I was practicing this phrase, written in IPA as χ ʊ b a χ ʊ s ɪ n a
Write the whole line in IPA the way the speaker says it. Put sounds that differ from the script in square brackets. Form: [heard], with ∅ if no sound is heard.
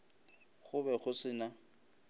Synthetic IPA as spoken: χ ʊ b [ɛ] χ ʊ s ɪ n a